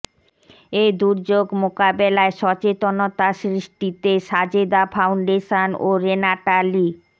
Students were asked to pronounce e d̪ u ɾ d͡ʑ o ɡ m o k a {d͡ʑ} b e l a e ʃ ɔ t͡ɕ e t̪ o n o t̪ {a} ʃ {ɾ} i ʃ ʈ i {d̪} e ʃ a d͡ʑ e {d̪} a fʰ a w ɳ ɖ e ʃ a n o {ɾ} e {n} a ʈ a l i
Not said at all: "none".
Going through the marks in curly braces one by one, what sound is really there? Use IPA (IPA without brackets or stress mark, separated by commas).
none, a, ɾ, t̪, d̪, ɾ, n